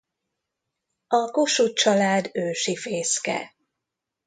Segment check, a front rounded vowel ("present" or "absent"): present